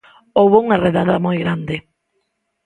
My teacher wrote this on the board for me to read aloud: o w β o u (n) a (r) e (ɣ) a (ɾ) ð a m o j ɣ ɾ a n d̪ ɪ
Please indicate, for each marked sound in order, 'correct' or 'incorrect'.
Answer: incorrect: ŋ, correct, incorrect: ð, incorrect: none

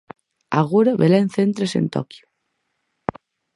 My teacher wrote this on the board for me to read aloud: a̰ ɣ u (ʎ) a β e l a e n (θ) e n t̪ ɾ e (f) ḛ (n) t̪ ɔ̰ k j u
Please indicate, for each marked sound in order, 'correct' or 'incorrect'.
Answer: incorrect: ɾ, correct, incorrect: s, correct

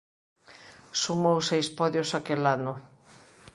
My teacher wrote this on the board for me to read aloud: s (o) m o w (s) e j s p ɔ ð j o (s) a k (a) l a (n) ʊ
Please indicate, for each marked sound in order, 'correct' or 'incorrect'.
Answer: incorrect: u, correct, correct, incorrect: e, correct

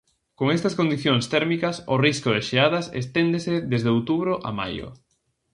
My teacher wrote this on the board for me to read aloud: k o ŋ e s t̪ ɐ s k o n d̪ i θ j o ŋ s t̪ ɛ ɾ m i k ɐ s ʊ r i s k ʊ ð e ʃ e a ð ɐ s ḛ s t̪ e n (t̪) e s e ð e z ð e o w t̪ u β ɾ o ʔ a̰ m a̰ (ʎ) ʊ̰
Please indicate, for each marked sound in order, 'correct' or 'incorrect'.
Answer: incorrect: d̪, incorrect: j

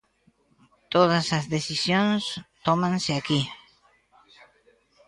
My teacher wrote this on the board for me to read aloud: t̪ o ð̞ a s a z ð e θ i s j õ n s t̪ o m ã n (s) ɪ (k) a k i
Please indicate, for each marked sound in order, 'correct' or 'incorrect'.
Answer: correct, incorrect: none

